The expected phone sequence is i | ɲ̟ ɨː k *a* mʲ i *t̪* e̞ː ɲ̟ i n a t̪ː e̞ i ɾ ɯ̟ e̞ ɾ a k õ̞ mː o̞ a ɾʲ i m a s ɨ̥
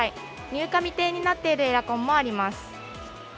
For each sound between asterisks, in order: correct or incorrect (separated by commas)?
correct, correct